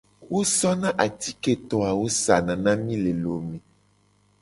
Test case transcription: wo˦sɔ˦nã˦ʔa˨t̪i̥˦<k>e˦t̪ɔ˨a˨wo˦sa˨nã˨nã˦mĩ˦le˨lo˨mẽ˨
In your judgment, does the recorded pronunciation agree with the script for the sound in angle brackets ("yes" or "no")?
yes